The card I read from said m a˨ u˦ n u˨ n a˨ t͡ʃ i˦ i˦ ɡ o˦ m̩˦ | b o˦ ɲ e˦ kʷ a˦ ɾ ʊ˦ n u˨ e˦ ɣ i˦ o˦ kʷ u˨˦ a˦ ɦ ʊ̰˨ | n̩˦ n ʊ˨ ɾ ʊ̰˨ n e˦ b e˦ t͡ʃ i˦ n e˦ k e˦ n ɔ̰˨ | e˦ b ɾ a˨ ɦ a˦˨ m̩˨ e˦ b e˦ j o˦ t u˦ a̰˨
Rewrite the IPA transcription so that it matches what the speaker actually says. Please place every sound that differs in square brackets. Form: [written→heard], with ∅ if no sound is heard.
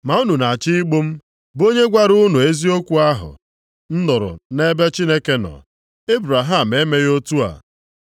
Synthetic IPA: m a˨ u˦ n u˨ n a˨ t͡ʃ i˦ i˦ [ɡ→ɡ͡b] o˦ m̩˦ | b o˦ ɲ e˦ [kʷ→ɡʷ] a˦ ɾ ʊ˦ n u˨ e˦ [ɣ→z] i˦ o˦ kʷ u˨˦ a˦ ɦ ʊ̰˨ | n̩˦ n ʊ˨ ɾ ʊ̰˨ n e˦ b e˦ t͡ʃ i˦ n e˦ k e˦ n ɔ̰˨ | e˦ b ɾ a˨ ɦ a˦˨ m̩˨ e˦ [b→m] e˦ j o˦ t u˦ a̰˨